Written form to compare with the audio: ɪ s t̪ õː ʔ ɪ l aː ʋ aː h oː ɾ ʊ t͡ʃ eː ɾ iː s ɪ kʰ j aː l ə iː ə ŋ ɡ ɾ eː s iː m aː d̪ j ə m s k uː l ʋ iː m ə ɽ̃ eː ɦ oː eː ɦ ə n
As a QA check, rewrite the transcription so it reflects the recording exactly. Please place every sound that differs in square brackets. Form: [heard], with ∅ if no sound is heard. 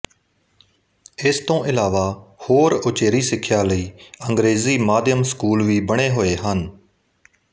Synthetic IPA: ɪ s t̪ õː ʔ ɪ l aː ʋ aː h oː ɾ ʊ t͡ʃ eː ɾ iː s ɪ kʰ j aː l ə iː ə ŋ ɡ ɾ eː [z] iː m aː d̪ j ə m s k uː l ʋ iː [b] ə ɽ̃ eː ɦ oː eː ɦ ə n